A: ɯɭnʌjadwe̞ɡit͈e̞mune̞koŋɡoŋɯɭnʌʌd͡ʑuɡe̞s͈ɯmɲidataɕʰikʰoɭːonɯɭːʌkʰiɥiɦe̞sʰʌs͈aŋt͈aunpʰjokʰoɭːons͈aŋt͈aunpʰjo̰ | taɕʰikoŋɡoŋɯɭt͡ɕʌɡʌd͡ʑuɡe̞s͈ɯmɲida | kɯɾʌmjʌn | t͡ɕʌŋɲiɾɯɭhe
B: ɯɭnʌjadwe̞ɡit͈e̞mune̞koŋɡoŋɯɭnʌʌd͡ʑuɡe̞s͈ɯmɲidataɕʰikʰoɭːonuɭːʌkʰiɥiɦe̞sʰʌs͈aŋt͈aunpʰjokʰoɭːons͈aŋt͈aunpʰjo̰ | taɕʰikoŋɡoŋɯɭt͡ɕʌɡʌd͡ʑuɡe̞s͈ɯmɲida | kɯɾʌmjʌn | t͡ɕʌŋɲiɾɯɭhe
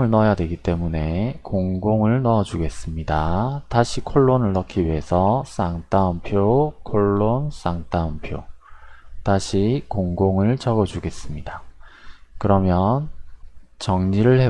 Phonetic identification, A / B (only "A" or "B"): A